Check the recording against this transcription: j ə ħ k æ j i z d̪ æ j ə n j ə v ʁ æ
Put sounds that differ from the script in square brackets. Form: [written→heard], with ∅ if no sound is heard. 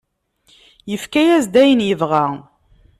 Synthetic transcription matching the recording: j ə [ħ→f] k æ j [i→æ] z d̪ æ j ə n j ə v ʁ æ